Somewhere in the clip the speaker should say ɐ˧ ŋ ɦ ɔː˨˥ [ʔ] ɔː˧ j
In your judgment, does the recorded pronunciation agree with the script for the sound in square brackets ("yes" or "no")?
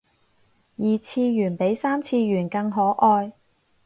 yes